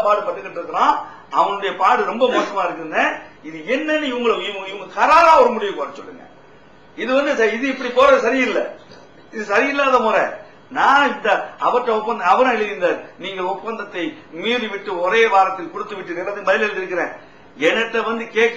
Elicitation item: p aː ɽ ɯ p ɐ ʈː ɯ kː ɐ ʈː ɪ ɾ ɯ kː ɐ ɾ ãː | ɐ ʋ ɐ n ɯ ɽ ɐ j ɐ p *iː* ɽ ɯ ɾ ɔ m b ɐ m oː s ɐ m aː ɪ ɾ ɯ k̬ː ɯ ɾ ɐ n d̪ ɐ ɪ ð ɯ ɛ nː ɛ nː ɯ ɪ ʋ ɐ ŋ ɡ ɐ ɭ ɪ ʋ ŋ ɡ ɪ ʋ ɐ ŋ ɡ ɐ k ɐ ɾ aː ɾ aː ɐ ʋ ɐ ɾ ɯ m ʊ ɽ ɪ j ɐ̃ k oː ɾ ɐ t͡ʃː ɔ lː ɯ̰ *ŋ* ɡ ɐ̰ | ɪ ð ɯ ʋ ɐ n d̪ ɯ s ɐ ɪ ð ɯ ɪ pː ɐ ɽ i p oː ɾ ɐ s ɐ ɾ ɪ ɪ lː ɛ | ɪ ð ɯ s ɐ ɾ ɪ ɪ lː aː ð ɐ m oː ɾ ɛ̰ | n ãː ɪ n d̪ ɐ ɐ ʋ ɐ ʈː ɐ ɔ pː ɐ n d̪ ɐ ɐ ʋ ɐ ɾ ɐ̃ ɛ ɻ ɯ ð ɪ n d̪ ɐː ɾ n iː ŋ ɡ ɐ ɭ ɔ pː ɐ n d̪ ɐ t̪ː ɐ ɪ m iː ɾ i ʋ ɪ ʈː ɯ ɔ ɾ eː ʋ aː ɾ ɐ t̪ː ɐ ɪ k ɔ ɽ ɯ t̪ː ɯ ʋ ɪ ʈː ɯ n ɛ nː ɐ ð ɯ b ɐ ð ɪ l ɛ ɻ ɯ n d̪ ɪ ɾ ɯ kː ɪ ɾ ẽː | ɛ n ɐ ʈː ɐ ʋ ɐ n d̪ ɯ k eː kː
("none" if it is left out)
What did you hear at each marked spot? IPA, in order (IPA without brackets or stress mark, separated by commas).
aː, ŋ